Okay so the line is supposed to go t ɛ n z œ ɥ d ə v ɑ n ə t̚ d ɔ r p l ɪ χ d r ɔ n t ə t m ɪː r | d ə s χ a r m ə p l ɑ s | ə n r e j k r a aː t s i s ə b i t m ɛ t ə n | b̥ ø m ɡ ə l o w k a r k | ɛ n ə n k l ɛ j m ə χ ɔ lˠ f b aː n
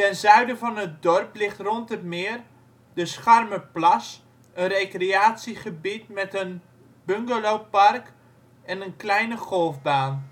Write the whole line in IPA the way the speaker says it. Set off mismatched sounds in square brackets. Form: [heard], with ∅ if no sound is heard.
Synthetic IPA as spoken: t ɛ n z œ ɥ d ə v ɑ n ə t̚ d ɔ r p l ɪ χ [t] r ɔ n t ə t m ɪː r | d ə s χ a r m ə p l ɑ s | ə n r e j k r [e] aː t s i [χ] ə b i t m ɛ t ə n | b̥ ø [ŋ] ɡ ə l o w [p] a r k | ɛ n ə n k l ɛ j [n] ə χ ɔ lˠ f b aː n